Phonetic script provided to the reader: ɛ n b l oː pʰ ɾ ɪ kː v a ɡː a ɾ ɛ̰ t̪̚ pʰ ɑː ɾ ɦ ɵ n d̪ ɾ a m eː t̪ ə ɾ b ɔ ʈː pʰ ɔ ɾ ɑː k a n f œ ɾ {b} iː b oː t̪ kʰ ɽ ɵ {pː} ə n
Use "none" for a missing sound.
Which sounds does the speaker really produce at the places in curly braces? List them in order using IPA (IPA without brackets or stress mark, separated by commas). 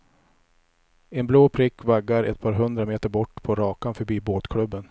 b, bː